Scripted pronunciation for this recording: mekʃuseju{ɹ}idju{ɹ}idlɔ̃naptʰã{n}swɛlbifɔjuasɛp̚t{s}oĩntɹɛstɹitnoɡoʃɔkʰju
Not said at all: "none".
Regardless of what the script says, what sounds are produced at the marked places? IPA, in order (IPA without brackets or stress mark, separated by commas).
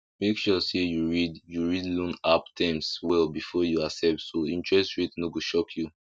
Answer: ɹ, ɹ, m, s